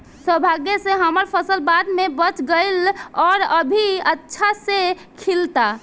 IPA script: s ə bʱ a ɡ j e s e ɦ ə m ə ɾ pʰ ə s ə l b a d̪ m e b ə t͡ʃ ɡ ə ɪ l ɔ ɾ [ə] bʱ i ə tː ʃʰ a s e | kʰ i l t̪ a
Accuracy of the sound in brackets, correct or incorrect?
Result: correct